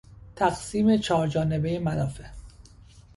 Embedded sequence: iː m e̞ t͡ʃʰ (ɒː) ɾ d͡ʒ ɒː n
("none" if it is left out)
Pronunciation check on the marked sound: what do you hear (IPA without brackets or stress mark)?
ɒː